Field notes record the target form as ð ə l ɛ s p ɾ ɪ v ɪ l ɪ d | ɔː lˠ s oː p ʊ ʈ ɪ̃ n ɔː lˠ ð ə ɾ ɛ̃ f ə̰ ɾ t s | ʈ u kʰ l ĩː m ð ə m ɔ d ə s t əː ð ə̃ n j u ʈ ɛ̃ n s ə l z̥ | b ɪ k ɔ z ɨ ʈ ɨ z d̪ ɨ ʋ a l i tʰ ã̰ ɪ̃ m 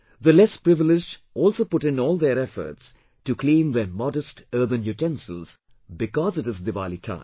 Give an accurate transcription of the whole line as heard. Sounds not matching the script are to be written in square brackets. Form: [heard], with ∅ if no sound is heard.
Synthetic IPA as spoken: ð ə l ɛ s p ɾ ɪ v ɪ l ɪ [d͡ʒ] | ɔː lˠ s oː p ʊ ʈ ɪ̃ n ɔː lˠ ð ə ɾ [ɛ] f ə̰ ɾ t s | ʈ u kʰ l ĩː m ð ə m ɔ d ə s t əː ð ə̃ n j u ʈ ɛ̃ n s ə l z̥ | b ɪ k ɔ z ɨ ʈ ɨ z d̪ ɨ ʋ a l i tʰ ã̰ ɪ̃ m